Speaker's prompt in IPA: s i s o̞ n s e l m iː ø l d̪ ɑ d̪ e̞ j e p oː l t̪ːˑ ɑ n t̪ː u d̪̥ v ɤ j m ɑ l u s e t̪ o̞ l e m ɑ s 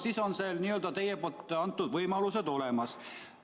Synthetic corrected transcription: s i s o̞ n s e l n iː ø l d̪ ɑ t̪ e̞ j e p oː l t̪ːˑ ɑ n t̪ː u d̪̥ v ɤ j m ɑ l u s e d̪ o̞ l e m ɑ s

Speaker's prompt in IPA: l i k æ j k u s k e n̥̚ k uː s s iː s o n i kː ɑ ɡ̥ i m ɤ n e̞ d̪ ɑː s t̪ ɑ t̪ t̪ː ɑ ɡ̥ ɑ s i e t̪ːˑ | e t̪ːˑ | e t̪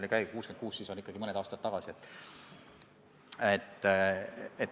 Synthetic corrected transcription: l i k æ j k uː s k e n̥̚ k uː s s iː s o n i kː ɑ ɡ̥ i m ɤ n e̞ d̪ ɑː s t̪ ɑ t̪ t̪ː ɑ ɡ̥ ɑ s i e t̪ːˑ | e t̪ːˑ | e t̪

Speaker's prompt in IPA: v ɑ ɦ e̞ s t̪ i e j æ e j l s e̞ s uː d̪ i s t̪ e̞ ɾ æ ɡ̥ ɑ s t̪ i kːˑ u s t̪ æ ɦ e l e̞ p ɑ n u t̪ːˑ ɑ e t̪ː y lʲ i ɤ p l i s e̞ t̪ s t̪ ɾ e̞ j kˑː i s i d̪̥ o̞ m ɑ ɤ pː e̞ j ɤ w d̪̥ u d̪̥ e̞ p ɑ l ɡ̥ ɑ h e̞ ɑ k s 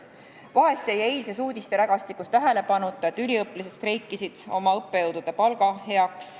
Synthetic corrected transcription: v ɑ ɦ e̞ s t̪ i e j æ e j l s e̞ s uː d̪ i s t̪ e̞ ɾ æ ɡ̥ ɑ s t̪ i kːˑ u s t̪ æ ɦ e l e̞ p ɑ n u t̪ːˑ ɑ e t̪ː y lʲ i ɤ p l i s e̞ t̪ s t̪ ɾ e̞ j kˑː i s i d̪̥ o̞ m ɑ ɤ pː e̞ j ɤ w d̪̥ u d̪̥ e̞ p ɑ l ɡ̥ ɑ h e̞ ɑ k s

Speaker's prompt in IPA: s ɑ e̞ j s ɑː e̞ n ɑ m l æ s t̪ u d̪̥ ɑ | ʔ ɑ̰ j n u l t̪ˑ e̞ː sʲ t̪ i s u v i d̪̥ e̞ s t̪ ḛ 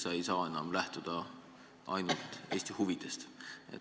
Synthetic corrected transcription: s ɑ e̞ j s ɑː e̞ n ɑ m l æ h t̪ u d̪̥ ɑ | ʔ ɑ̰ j n u l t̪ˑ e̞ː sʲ t̪ i h u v i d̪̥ e̞ s t̪ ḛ

